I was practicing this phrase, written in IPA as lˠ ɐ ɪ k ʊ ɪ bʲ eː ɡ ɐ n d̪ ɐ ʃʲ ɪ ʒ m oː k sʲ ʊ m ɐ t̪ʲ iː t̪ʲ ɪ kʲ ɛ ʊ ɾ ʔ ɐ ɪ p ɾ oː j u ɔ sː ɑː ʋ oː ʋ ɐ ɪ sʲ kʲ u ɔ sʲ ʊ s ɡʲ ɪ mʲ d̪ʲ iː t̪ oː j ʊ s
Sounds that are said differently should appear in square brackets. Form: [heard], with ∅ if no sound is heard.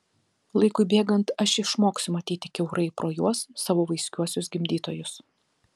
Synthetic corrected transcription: lˠ ɐ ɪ k ʊ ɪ bʲ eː ɡ ɐ n [t̪] ɐ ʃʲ ɪ [ʃ] m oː k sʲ ʊ m ɐ t̪ʲ iː t̪ʲ ɪ kʲ ɛ ʊ ɾ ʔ ɐ ɪ p ɾ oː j u ɔ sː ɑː ʋ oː ʋ ɐ ɪ sʲ kʲ u ɔ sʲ ʊ s ɡʲ ɪ mʲ d̪ʲ iː t̪ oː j ʊ s